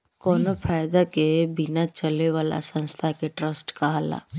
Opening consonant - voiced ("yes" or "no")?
no